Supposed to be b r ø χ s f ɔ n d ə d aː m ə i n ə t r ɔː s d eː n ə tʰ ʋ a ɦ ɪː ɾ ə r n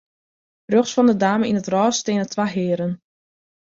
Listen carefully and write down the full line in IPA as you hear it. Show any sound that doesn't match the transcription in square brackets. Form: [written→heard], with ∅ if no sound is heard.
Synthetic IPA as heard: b r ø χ s f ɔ n d ə d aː m ə i n ə t r ɔː s [d→t] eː n ə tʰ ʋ a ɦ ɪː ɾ ə [r→∅] n